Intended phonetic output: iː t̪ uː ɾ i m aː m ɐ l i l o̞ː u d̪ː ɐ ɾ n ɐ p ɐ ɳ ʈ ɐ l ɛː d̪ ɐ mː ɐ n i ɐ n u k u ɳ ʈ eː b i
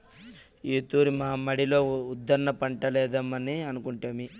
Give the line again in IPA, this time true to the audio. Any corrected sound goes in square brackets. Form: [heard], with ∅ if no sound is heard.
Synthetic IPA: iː t̪ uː ɾ i m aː m ɐ [ɽ] i l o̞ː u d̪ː ɐ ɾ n ɐ p ɐ ɳ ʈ ɐ l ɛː d̪ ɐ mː ɐ n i ɐ n u k u ɳ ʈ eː [m] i